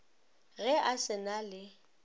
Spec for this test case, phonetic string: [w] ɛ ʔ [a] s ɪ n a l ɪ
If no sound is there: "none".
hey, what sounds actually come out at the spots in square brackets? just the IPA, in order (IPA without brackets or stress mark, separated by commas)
ɣ, a